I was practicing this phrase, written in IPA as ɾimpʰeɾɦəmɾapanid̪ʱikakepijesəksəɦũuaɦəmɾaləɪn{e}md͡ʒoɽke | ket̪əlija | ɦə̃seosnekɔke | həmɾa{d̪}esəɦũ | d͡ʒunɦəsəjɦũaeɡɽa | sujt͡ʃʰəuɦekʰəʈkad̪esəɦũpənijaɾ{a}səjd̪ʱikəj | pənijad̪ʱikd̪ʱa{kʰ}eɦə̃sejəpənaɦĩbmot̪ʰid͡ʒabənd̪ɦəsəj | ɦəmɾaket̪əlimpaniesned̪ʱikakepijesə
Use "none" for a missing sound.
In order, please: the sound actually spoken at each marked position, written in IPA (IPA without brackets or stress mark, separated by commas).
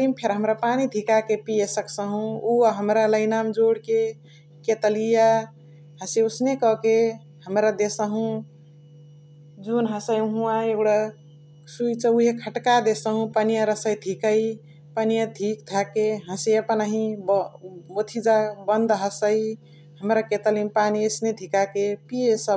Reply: a, d̪, ə, k